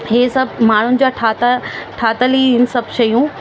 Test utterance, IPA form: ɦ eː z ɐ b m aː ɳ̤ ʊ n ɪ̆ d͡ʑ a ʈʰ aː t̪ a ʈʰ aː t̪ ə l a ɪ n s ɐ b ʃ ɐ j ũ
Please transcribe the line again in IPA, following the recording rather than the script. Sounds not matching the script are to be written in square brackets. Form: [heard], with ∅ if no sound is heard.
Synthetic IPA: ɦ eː [s] ɐ b m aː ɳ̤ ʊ n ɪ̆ d͡ʑ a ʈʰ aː t̪ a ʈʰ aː t̪ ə l [i] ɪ n s ɐ b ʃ ɐ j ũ